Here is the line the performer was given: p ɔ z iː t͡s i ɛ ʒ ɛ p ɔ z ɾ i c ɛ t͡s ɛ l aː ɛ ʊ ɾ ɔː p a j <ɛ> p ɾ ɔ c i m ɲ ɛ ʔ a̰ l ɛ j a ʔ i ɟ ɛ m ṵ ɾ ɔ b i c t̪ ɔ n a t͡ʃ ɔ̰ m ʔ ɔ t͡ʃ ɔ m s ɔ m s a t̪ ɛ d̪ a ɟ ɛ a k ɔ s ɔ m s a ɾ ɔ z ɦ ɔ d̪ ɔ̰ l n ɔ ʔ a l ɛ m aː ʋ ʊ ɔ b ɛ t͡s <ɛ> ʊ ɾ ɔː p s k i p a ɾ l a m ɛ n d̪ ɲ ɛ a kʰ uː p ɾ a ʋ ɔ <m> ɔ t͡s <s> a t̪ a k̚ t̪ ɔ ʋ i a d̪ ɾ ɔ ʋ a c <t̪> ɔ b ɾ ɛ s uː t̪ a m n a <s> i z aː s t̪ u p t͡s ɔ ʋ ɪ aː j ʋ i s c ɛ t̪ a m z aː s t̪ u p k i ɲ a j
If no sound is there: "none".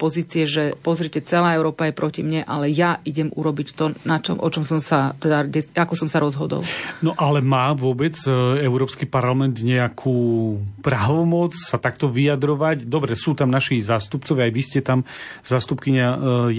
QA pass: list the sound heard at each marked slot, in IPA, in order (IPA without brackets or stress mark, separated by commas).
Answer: ɛ, ɛ, m, s, d̪, ʃ